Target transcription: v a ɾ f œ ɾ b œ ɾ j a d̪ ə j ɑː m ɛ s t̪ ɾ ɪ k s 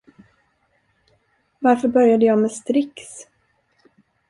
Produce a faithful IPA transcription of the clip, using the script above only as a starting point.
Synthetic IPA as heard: v a ɾ f œ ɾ b œ ɾ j a d̪ ə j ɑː m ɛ s t̪ ɾ ɪ k s